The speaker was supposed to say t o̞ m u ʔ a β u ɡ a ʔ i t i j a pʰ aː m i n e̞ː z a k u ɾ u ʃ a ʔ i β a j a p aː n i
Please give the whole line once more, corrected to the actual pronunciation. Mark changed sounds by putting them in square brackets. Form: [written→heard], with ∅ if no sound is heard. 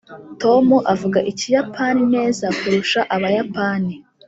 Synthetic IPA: t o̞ m u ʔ a [β→v] u ɡ a ʔ i [t→c] i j a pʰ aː [m→n] i n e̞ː z a k u ɾ u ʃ a ʔ [i→a] β a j a p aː n i